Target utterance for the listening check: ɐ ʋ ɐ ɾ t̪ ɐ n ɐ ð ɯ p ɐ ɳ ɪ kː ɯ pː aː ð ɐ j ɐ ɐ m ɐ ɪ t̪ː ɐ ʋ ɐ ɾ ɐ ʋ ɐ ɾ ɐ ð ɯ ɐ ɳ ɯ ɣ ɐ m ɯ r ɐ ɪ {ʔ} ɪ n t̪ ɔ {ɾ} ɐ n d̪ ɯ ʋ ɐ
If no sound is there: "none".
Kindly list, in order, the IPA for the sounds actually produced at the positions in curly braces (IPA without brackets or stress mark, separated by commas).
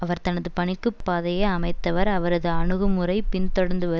p, ɽ